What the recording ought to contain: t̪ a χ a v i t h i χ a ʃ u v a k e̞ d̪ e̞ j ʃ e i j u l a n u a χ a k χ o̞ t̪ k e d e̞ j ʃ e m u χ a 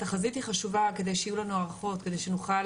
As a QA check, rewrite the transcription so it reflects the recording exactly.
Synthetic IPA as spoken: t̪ a χ a z i t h i χ a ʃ u v a k e̞ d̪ e̞ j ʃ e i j u l a n u a ʁ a χ o̞ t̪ k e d e̞ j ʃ e n u χ a